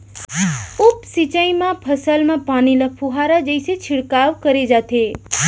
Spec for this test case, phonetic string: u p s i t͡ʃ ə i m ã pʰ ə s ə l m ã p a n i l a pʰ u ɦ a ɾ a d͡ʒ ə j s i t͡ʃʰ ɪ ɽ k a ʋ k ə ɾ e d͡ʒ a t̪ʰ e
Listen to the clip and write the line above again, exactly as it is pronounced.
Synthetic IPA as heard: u p s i t͡ʃ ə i m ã pʰ ə s ə l m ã p a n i l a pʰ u ɦ a ɾ a d͡ʒ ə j s e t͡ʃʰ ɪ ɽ k a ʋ k ə ɾ e d͡ʒ a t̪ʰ e